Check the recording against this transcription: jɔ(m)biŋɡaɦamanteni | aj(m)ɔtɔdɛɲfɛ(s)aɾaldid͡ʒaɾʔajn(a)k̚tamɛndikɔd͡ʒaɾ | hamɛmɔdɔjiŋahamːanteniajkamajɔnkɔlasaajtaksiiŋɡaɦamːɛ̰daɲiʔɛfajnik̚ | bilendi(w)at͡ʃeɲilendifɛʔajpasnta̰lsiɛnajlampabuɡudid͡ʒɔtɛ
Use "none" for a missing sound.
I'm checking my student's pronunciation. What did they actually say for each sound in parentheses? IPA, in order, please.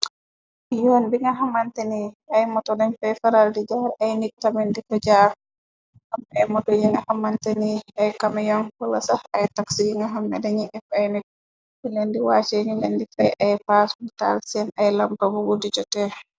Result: n, m, f, i, w

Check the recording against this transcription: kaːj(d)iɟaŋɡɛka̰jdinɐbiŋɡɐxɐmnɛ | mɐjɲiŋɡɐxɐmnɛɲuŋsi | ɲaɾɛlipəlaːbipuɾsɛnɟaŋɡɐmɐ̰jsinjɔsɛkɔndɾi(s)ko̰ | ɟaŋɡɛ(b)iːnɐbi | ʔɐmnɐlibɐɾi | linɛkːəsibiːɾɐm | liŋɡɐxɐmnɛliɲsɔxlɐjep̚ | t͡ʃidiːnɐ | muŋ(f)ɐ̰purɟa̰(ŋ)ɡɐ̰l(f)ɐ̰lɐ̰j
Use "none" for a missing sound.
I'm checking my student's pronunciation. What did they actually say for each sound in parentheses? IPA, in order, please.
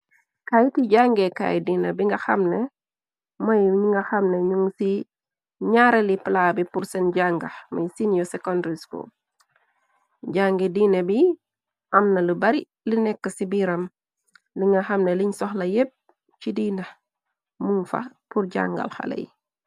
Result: t, s, d, f, ŋ, x

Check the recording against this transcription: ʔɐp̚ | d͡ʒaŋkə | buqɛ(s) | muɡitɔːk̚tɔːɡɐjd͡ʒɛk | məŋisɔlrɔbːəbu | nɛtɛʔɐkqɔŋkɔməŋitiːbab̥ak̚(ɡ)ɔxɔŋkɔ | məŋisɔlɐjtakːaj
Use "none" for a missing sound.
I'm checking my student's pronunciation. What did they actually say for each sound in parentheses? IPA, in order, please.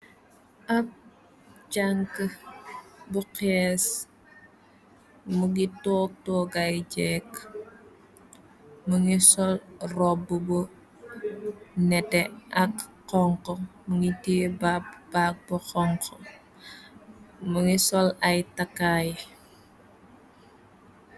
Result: s, b

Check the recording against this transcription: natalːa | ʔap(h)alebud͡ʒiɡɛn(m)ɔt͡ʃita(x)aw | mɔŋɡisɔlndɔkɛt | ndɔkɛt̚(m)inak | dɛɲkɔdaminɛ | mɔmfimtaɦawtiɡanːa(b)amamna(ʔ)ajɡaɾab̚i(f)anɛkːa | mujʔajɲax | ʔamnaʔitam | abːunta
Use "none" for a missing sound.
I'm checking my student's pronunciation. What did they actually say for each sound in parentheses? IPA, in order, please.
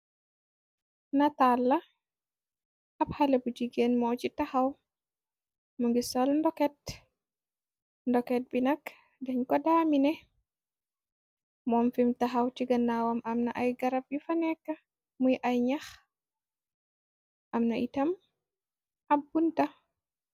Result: h, m, h, b, w, ʔ, f

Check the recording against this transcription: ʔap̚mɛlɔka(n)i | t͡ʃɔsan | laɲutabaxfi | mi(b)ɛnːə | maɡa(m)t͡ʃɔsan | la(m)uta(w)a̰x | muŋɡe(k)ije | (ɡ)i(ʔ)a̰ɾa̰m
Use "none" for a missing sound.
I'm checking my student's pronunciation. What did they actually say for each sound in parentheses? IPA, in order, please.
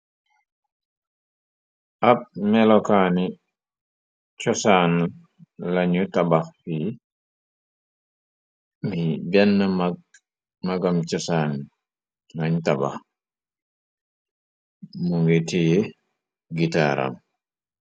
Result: n, b, m, ɲ, b, t, ɡ, t

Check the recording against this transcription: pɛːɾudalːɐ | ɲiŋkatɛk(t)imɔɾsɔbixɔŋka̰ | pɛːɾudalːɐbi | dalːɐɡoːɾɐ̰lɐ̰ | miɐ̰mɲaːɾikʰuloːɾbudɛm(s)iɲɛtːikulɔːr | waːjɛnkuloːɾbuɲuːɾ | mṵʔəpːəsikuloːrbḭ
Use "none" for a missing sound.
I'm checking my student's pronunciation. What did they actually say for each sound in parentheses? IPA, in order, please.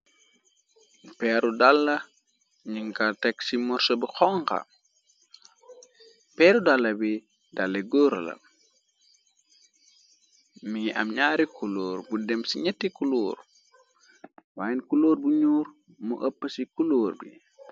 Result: s, s

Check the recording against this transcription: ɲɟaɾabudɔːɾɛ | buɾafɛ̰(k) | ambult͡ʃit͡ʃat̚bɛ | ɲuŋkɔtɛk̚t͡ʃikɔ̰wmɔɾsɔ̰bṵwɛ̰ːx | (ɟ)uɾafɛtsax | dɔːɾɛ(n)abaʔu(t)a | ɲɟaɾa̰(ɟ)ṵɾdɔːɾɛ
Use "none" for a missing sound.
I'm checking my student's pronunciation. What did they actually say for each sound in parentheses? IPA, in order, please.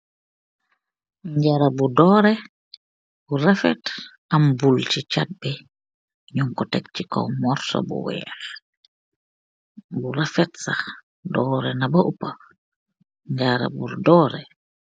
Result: t, b, n, p, b

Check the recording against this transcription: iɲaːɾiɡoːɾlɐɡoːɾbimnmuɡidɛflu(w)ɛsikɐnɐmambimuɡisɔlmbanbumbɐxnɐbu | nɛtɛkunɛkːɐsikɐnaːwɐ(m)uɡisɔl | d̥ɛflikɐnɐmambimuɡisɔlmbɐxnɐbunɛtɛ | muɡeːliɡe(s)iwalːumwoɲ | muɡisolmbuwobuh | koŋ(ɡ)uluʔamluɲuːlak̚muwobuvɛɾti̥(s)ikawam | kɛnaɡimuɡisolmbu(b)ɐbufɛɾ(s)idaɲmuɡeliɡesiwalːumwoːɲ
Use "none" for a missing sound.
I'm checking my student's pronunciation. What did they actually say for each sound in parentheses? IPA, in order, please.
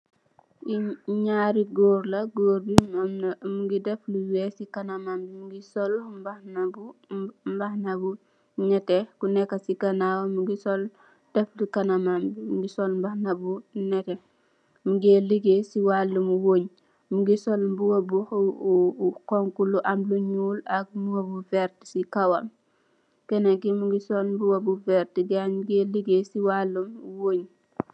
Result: w, m, s, k, s, w, t

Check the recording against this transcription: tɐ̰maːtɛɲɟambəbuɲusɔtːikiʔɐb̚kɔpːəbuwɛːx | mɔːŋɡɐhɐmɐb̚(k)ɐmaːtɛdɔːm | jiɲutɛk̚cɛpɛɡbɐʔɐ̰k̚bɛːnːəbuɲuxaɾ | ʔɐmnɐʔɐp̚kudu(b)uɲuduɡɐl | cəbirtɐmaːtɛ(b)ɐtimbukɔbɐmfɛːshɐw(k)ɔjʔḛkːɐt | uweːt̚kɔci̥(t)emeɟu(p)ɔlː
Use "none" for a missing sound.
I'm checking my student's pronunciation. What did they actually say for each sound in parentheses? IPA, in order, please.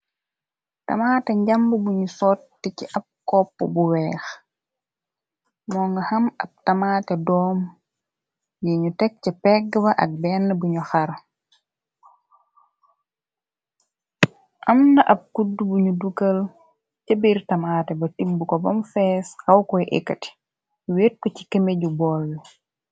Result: t, b, b, k, k, b

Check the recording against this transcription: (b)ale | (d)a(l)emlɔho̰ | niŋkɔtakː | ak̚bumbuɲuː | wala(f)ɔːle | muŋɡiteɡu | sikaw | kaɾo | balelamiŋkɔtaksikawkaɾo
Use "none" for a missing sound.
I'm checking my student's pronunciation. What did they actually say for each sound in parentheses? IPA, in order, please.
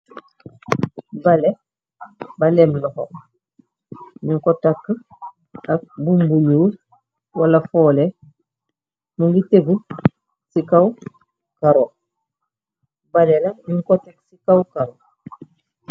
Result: b, b, l, f

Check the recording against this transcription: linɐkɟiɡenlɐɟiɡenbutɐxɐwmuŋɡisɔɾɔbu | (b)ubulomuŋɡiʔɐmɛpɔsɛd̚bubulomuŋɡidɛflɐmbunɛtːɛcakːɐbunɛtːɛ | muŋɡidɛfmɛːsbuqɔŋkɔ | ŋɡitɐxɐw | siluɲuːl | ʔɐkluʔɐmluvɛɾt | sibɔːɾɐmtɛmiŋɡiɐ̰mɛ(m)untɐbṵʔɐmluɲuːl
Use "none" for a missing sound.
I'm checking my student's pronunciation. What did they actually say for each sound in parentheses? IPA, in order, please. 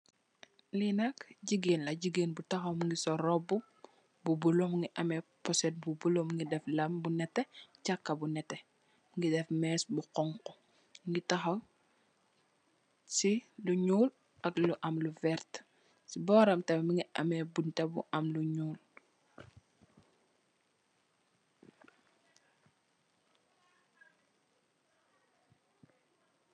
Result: b, b

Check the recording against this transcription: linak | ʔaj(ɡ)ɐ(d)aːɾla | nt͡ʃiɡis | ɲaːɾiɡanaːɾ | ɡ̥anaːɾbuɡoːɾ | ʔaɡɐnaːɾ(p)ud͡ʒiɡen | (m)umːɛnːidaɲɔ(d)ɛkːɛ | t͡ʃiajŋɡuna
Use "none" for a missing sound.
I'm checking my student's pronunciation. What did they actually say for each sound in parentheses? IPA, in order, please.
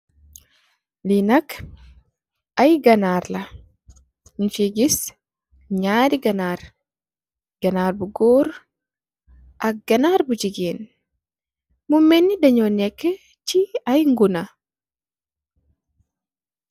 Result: ɡ, n, b, m, n

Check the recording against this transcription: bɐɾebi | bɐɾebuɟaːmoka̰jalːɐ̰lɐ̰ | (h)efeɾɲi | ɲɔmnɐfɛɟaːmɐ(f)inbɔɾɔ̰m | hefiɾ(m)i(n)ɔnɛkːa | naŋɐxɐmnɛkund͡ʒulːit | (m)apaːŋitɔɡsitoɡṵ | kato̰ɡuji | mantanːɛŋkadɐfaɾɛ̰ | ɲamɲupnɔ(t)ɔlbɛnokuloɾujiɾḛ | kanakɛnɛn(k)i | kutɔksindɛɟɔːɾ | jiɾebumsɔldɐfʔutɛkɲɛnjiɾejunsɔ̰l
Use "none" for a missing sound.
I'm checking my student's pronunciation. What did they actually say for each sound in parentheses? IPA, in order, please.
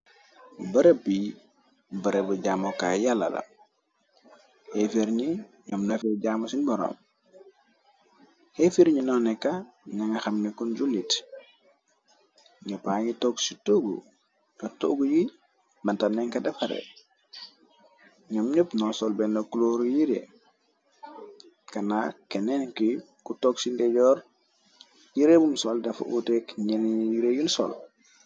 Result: h, s, ɲ, n, ɲ, s, k

